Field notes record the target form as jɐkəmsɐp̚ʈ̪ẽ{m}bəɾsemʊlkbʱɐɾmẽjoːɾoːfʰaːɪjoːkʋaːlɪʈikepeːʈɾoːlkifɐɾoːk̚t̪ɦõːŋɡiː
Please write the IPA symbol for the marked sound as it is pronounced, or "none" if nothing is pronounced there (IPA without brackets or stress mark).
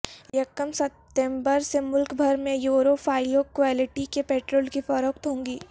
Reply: m